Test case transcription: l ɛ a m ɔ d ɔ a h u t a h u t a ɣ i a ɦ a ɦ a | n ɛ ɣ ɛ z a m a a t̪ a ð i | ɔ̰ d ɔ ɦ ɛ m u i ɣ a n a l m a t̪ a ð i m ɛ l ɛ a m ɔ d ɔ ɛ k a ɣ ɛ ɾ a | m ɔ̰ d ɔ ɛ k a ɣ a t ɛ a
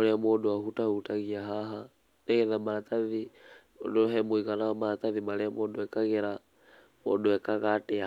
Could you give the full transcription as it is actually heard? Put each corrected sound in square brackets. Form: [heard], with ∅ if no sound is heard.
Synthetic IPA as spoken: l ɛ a m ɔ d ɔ a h u t a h u t a ɣ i a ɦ a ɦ a | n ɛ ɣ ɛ [ð] a m a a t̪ a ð i | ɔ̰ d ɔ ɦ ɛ m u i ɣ a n a [∅] m a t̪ a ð i m [a] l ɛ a m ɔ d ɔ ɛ k a ɣ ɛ ɾ a | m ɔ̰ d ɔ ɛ k a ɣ a t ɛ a